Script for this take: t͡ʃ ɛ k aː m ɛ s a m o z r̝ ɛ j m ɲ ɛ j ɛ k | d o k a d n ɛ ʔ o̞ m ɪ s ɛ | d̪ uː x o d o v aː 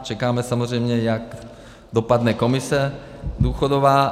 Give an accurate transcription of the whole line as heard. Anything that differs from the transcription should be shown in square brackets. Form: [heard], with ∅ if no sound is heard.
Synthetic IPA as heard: t͡ʃ ɛ k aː m ɛ s a m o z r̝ ɛ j m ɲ ɛ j [a] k | d o [p] a d n ɛ [k] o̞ m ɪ s ɛ | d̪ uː x o d o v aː